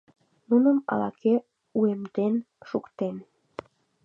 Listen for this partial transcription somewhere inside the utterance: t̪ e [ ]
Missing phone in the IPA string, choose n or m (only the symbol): n